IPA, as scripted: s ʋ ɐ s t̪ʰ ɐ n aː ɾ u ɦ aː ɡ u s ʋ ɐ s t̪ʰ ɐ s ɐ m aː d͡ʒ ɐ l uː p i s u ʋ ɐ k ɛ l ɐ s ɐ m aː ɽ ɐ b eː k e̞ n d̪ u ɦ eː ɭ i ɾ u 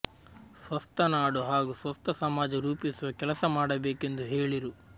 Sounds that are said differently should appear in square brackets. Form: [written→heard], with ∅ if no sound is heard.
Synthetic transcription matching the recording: s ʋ ɐ s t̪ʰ ɐ n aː [ɾ→ɽ] u ɦ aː ɡ u s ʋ ɐ s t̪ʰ ɐ s ɐ m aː d͡ʒ ɐ [l→ɾ] uː p i s u ʋ ɐ k ɛ l ɐ s ɐ m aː ɽ ɐ b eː k e̞ n d̪ u ɦ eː ɭ i ɾ u